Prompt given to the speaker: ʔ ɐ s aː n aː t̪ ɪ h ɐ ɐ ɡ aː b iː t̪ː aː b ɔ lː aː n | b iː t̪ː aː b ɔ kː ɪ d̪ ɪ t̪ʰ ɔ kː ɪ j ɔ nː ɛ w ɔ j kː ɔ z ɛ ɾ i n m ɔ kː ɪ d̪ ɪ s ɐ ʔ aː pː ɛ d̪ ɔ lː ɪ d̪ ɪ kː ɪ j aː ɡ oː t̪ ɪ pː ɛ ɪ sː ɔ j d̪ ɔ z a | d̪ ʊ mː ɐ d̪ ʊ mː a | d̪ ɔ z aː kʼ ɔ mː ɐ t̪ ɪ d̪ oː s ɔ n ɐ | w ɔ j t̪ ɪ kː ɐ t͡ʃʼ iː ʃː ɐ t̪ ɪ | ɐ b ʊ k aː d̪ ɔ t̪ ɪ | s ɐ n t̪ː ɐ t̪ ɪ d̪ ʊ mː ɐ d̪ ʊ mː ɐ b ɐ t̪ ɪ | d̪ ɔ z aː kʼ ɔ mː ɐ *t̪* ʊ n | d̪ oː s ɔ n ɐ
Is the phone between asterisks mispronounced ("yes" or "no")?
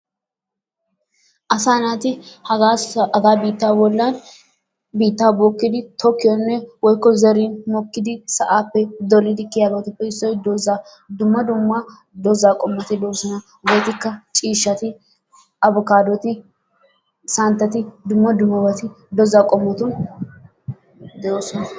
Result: no